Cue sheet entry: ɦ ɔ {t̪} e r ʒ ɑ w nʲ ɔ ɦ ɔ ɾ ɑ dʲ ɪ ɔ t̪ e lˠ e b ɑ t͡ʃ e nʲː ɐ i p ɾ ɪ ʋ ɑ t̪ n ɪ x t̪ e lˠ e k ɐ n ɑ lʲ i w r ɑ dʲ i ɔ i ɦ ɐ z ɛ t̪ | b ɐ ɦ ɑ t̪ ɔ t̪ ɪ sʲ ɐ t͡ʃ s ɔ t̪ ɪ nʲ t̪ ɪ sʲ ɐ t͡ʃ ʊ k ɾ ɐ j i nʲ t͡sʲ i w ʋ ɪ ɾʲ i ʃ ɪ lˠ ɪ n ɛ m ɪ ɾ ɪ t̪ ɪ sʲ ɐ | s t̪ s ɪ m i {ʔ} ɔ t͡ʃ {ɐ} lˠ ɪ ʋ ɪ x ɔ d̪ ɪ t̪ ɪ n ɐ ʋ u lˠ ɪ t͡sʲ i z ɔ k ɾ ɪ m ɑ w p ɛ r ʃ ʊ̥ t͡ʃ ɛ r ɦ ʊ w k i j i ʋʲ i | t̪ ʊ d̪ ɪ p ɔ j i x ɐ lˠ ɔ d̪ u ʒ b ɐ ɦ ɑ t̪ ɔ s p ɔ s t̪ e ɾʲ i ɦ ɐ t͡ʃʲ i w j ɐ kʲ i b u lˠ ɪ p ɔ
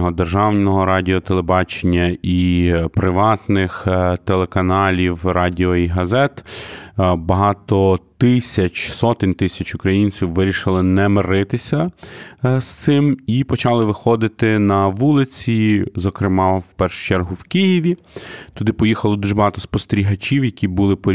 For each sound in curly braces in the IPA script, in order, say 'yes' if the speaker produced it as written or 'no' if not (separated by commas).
no, no, no